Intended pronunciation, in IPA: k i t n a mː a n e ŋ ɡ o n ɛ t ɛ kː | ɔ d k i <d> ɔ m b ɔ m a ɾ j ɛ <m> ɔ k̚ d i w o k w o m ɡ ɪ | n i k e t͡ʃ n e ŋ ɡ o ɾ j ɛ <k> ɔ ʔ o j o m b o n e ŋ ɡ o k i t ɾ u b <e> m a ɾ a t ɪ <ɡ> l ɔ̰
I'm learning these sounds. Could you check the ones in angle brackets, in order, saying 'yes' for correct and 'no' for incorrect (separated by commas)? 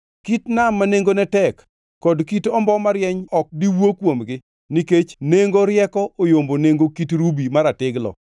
no, no, yes, no, yes